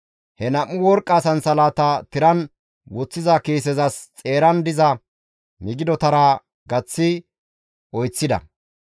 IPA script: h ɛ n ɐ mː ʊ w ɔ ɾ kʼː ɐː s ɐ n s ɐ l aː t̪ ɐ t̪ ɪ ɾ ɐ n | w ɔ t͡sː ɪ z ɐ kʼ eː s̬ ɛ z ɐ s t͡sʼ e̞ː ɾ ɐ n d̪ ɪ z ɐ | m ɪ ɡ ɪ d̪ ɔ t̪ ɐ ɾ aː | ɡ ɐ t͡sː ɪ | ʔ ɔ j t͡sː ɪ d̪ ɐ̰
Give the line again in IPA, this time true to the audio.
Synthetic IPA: h ɛ n ɐ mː ʊ w ɔ ɾ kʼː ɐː s ɐ n s ɐ l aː t̪ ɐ t̪ ɪ ɾ ɐ n | w ɔ t͡sː ɪ z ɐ k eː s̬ ɛ z ɐ s t͡sʼ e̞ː ɾ ɐ n d̪ ɪ z ɐ | m ɪ ɡ ɪ d̪ ɔ t̪ ɐ ɾ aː | ɡ ɐ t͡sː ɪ | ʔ ɔ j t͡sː ɪ d̪ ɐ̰

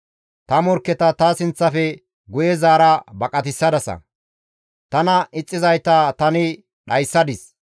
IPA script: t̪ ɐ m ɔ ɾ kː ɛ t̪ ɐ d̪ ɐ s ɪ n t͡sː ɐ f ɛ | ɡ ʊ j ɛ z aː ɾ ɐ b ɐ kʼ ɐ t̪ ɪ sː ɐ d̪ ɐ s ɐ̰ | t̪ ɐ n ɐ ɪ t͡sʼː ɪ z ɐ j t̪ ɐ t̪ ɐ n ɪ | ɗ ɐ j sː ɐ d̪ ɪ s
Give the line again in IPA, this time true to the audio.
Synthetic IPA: t̪ ɐ m ɔ ɾ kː ɛ t̪ ɐ t̪ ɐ s ɪ n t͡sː ɐ f ɛ | ɡ ʊ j ɛ z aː ɾ ɐ b ɐ kʼ ɐ t̪ ɪ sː ɐ d̪ ɐ s ɐ̰ | t̪ ɐ n ɐ ɪ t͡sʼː ɪ z ɐ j t̪ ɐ t̪ ɐ n ɪ | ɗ ɐ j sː ɐ d̪ ɪ s

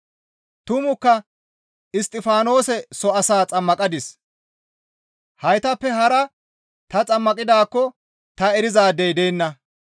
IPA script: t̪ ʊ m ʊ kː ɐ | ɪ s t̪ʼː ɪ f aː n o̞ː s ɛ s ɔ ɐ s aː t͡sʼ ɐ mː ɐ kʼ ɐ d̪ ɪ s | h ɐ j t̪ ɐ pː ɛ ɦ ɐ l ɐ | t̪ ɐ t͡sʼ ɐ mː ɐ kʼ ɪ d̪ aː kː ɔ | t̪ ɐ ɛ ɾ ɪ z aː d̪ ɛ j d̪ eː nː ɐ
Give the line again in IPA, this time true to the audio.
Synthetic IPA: t̪ ʊ m ʊ kː ɐ | ɪ s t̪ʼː ɪ f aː n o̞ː s ɛ s ɔ ɐ s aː t͡sʼ ɐ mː ɐ kʼ ɐ d̪ ɪ s | h ɐ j t̪ ɐ pː ɛ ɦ ɐ ɾ ɐ | t̪ ɐ t͡sʼ ɐ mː ɐ kʼ ɪ d̪ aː kː ɔ | t̪ ɐ ɛ ɾ ɪ z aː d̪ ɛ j d̪ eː nː ɐ

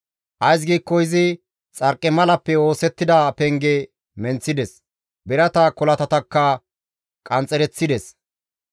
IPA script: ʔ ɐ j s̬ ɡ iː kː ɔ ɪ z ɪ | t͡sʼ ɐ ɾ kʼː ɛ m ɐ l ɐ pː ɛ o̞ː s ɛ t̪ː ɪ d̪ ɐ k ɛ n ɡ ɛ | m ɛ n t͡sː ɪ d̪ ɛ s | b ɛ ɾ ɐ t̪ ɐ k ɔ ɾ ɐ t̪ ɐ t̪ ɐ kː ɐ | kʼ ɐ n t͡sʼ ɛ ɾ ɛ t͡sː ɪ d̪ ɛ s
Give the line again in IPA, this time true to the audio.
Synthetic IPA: ʔ ɐ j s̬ ɡ iː kː ɔ ɪ z ɪ | t͡sʼ ɐ ɾ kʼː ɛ m ɐ l ɐ pː ɛ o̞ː s ɛ t̪ː ɪ d̪ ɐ p ɛ ŋ ɡ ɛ | m ɛ n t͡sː ɪ d̪ ɛ s | b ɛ ɾ ɐ t̪ ɐ k ɔ l ɐ t̪ ɐ t̪ ɐ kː ɐ | kʼ ɐ n t͡sʼ ɛ ɾ ɛ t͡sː ɪ d̪ ɛ s

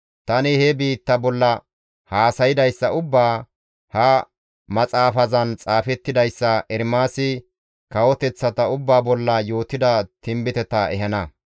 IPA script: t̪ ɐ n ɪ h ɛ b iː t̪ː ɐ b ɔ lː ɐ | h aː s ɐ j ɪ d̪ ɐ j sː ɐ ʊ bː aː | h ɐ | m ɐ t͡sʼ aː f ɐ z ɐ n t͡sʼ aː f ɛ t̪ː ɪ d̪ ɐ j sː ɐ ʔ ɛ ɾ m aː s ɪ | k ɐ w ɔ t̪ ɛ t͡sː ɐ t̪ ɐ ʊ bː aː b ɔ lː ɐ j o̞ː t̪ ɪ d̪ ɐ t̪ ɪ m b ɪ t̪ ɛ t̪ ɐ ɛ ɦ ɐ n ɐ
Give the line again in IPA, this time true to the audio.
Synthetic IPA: t̪ ɐ n ɪ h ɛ b iː t̪ː ɐ b ɔ lː ɐ | h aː s ɐ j ɪ d̪ ɐ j sː ɐ ʊ bː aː | h ɐ | m ɐ t͡sʼ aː f ɐ z ɐ n t͡sʼ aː f ɛ t̪ː ɪ d̪ ɐ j sː ɐ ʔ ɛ ɾ m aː s ɪ | k ɐ w ɔ t̪ ɛ t͡sː ɐ t̪ ɐ ʊ bː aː b ɔ lː ɐ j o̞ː t̪ ɪ d̪ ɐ t̪ ɪ m b ɪ t̪ ɛ t̪ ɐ ɛ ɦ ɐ n ɐ

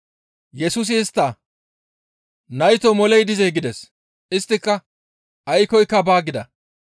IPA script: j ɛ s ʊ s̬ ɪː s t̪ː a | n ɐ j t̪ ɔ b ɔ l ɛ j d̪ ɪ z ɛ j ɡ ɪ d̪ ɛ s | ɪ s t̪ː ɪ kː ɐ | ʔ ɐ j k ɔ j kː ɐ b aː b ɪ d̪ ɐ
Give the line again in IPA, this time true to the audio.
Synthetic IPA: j ɛ s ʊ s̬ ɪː s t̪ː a | n ɐ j t̪ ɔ m ɔ l ɛ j d̪ ɪ z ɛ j ɡ ɪ d̪ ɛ s | ɪ s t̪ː ɪ kː ɐ | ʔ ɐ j k ɔ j kː ɐ b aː ɡ ɪ d̪ ɐ

